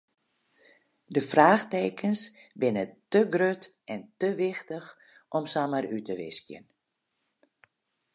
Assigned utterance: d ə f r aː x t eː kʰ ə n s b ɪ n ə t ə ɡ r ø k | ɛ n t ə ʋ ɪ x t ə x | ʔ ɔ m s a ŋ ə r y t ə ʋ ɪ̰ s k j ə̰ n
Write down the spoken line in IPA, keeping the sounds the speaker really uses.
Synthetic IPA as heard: d ə f r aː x t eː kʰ ə n s b ɪ n ə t ə ɡ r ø t | ɛ n t ə ʋ ɪ x t ə x | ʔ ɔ m s a m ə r y t ə ʋ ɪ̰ s k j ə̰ n